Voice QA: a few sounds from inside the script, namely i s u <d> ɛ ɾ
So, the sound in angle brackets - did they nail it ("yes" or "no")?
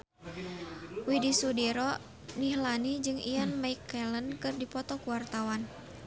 yes